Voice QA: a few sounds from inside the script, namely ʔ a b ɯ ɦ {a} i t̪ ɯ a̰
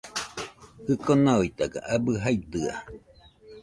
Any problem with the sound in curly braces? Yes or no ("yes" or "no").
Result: no